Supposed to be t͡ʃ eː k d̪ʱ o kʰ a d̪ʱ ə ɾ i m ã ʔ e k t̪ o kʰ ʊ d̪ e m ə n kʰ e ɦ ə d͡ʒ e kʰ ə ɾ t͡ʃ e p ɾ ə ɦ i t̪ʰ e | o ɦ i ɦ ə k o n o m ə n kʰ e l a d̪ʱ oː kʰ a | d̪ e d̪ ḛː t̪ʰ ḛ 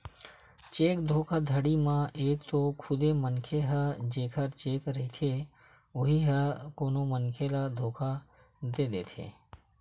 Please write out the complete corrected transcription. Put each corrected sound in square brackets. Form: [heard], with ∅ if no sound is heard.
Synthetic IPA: t͡ʃ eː k d̪ʱ o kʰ a d̪ʱ ə [ɽ] i m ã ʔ e k t̪ o kʰ ʊ d̪ e m ə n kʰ e ɦ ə d͡ʒ e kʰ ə ɾ t͡ʃ e [k] ɾ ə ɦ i t̪ʰ e | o ɦ i ɦ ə k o n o m ə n kʰ e l a d̪ʱ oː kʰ a | d̪ e d̪ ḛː t̪ʰ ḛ